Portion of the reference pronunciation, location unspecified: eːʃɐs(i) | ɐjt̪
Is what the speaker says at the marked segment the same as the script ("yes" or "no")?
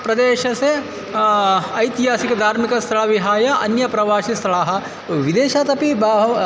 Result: no